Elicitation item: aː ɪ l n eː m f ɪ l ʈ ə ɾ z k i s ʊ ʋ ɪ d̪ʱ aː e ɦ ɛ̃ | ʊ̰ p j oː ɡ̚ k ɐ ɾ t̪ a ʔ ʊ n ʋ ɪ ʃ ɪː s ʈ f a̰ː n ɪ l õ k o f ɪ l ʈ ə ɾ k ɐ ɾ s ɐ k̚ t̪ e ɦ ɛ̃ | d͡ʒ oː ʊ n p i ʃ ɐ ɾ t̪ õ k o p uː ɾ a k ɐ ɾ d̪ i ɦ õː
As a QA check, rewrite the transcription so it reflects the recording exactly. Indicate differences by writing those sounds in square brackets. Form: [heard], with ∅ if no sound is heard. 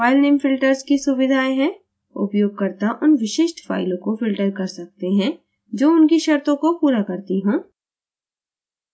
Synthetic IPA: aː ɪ l n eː m f ɪ l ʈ ə ɾ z k i s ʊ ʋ ɪ d̪ʱ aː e ɦ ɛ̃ | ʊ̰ p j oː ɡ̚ k ɐ ɾ t̪ a ʔ ʊ n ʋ ɪ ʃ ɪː [ʃ] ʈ f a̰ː [∅] ɪ l õ k o f ɪ l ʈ ə ɾ k ɐ ɾ s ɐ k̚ t̪ e ɦ ɛ̃ | d͡ʒ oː ʊ n [k] i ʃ ɐ ɾ t̪ õ k o p uː ɾ a k ɐ ɾ [t̪] i ɦ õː